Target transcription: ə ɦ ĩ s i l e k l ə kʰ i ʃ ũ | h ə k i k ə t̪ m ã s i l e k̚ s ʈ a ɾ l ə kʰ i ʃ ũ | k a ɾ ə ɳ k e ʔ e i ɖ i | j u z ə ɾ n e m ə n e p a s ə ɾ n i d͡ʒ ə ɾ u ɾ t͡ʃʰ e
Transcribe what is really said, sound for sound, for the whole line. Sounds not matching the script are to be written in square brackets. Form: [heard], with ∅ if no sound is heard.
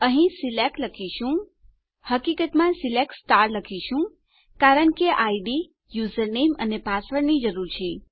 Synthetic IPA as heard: ə ɦ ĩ s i l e k l ə kʰ i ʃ ũ | h ə k i k ə t̪ m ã s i l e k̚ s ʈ a ɾ l ə kʰ i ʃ ũ | k a ɾ ə ɳ k e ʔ [a] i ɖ i | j u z ə ɾ n e m ə n e p a s ə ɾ n i d͡ʒ ə ɾ u ɾ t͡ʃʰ e